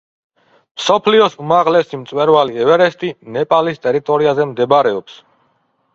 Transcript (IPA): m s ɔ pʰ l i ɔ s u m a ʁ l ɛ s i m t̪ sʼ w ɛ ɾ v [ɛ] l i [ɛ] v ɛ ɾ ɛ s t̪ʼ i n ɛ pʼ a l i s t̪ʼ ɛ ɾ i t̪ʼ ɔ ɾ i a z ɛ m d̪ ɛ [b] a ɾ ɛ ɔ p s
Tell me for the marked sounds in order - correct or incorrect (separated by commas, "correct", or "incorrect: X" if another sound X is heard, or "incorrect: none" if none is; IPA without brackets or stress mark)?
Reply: incorrect: a, correct, correct